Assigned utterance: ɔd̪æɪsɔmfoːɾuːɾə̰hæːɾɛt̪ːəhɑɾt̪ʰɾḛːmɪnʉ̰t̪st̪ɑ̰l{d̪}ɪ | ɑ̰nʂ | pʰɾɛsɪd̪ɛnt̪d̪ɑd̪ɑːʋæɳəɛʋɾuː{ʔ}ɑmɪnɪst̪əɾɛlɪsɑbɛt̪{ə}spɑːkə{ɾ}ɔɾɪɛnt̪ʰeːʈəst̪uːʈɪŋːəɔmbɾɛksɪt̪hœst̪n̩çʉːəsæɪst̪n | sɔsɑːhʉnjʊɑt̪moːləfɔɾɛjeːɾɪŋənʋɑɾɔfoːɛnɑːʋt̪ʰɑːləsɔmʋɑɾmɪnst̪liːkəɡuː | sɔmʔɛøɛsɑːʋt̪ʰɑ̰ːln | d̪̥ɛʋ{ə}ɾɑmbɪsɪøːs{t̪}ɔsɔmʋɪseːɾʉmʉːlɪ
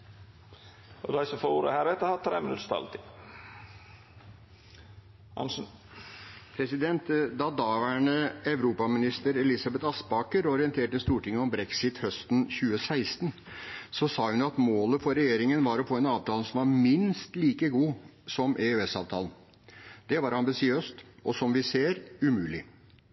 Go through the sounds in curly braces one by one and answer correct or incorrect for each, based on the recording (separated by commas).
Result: incorrect, incorrect, incorrect, correct, incorrect, correct